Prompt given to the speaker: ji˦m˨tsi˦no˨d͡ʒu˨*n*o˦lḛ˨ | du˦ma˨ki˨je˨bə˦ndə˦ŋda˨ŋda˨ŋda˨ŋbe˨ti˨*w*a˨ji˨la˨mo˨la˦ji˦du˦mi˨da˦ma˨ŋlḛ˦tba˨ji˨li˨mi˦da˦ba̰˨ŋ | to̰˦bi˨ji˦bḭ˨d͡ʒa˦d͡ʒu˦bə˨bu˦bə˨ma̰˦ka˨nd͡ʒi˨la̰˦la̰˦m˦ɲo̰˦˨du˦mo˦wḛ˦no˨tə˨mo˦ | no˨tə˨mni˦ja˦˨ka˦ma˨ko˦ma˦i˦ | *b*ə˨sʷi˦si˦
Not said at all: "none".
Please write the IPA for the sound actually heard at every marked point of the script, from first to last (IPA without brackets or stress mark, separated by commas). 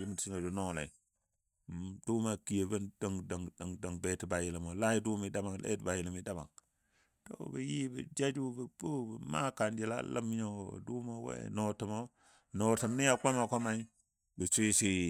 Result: n, b, b